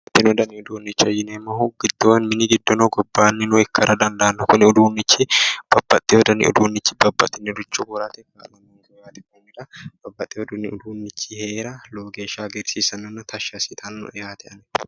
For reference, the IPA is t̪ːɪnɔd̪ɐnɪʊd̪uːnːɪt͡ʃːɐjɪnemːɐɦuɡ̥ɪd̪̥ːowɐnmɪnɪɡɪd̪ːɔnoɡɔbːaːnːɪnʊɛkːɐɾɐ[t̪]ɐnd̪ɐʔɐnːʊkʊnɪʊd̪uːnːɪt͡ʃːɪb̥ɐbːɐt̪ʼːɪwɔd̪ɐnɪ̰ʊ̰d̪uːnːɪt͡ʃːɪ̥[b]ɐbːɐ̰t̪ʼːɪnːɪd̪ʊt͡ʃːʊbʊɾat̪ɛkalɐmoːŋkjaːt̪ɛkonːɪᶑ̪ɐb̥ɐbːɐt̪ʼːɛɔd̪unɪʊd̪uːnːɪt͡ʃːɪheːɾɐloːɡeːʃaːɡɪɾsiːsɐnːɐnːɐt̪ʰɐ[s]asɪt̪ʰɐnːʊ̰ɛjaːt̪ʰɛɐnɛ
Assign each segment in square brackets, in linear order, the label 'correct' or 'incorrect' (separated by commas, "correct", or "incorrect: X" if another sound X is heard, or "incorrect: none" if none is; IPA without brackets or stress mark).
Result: incorrect: d̪, correct, incorrect: ʃ